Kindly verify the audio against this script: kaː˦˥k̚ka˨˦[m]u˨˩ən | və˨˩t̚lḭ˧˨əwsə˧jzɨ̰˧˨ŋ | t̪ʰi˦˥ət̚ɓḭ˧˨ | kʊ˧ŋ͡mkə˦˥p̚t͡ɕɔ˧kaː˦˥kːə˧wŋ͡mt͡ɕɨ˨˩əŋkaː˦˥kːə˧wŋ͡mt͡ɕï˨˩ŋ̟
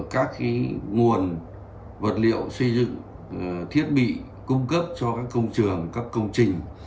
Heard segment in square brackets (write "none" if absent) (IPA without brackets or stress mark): ŋ